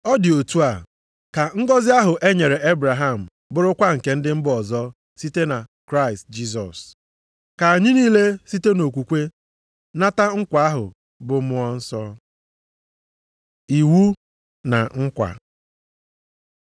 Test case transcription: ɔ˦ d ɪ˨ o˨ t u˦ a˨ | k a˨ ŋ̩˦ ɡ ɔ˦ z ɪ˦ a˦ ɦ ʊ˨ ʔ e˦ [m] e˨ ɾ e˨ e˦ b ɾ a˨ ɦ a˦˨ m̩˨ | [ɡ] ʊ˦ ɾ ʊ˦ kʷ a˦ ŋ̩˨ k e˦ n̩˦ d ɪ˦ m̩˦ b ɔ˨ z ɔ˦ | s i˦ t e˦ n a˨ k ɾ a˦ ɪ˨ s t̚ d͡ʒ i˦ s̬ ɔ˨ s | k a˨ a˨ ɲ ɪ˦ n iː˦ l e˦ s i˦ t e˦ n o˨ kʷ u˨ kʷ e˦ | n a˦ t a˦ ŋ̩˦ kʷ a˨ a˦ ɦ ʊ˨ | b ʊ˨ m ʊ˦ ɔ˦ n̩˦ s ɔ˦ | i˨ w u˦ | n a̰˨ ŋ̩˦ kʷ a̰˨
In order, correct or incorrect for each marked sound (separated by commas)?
incorrect, incorrect